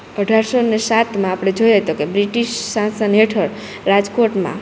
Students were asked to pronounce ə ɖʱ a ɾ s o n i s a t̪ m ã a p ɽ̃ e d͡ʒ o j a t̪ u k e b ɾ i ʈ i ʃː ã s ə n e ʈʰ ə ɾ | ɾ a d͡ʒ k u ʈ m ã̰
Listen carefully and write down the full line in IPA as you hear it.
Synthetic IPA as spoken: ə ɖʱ a ɾ s o n e s a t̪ m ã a p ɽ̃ e d͡ʒ o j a t̪ o k e b ɾ i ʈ i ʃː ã s ə n e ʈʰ ə ɾ | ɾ a d͡ʒ k o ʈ m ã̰